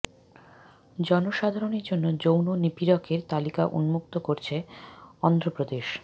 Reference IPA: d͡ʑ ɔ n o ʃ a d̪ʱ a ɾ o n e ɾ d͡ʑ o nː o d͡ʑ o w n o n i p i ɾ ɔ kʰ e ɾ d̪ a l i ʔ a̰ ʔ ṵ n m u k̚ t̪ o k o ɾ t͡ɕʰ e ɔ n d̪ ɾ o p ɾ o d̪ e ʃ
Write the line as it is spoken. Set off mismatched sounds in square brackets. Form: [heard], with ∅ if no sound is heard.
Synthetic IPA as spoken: d͡ʑ ɔ n o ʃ a d̪ʱ a ɾ o n e ɾ d͡ʑ o nː o d͡ʑ o w n o n i p i ɾ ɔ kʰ e ɾ [t̪] a l i [k] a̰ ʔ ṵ n m u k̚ t̪ o k o ɾ t͡ɕʰ e ɔ n d̪ ɾ o p ɾ o d̪ e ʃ